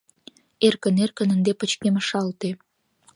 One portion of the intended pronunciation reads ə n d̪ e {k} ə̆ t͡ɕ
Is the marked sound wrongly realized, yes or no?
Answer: yes